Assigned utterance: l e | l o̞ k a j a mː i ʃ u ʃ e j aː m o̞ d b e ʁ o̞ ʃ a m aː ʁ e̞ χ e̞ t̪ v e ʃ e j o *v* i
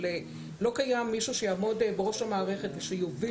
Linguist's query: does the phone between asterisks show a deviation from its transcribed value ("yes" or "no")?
no